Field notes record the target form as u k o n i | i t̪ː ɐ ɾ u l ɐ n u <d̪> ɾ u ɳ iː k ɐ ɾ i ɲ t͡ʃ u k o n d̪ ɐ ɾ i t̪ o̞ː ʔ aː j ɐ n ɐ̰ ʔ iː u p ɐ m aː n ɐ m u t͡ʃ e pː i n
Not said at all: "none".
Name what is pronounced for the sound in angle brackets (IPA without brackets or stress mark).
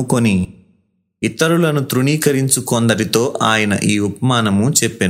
t̪